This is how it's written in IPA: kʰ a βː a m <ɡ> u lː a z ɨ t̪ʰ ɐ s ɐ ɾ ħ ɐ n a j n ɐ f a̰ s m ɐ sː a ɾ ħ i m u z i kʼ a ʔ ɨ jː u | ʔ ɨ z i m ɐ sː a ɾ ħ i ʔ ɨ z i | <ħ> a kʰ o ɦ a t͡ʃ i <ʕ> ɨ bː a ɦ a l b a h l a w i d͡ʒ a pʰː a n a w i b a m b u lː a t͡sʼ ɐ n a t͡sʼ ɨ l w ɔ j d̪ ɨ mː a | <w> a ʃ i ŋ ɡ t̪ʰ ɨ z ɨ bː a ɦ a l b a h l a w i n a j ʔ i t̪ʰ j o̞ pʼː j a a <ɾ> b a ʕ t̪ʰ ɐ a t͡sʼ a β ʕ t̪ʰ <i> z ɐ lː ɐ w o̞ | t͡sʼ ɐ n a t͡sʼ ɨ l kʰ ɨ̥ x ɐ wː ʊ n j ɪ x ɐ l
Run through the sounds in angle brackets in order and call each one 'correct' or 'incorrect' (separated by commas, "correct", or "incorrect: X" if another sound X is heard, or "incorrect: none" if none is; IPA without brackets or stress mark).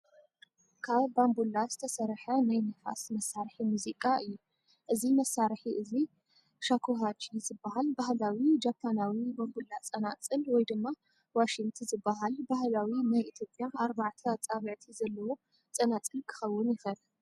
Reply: incorrect: b, incorrect: ʃ, incorrect: z, correct, correct, correct